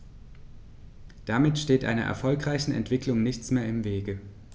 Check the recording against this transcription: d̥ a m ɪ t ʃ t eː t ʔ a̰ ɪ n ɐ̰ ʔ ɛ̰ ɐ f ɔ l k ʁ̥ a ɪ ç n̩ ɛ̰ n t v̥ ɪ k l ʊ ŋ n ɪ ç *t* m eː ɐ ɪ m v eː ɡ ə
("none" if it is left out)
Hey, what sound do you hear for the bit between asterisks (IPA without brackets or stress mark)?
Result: t͡s